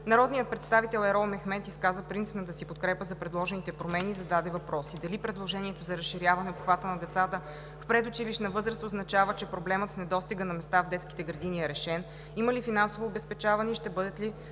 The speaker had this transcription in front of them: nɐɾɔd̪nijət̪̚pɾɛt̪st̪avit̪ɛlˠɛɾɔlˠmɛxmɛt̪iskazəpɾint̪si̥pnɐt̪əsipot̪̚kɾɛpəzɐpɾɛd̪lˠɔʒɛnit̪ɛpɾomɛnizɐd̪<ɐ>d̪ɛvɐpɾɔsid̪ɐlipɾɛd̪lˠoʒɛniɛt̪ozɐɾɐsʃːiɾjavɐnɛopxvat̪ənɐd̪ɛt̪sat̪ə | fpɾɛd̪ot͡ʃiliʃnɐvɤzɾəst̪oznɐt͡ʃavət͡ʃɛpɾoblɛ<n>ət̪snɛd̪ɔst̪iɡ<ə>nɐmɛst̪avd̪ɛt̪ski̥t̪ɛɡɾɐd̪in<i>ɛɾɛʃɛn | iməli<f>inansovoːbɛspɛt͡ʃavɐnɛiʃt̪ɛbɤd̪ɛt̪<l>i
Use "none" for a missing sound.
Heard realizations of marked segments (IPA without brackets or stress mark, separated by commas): a, m, ə, i, f, l